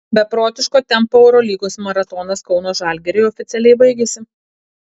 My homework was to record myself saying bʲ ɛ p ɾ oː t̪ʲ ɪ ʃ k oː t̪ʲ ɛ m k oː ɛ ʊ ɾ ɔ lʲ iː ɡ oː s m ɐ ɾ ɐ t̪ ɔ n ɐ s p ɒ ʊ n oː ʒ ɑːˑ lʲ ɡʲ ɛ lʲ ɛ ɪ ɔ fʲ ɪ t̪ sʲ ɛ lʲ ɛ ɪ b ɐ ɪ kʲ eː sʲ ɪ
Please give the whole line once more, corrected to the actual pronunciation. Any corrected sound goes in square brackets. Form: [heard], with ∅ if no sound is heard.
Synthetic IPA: bʲ ɛ p ɾ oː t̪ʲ ɪ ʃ k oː t̪ʲ ɛ m [p] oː ɛ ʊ ɾ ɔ lʲ iː ɡ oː s m ɐ ɾ ɐ t̪ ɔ n ɐ s [k] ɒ ʊ n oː ʒ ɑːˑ lʲ ɡʲ ɛ [ɾʲ] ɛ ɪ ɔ fʲ ɪ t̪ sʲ ɛ lʲ ɛ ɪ b ɐ ɪ [ɡʲ] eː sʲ ɪ